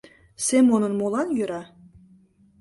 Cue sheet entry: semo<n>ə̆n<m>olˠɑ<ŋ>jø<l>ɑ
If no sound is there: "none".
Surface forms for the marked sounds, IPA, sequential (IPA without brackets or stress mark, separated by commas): n, m, n, ɾ